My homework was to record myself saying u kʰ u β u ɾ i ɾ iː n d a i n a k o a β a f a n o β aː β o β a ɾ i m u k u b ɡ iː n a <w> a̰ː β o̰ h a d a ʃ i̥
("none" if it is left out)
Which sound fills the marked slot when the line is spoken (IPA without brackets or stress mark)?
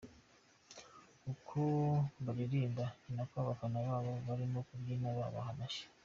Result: β